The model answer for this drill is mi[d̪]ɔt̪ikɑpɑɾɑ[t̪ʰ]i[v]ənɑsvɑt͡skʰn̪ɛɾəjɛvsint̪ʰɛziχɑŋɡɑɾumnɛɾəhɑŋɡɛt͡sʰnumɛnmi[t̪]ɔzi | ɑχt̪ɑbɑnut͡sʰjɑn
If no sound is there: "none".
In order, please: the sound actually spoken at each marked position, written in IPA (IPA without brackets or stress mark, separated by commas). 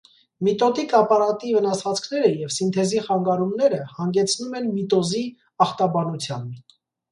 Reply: t̪, t̪, v, t̪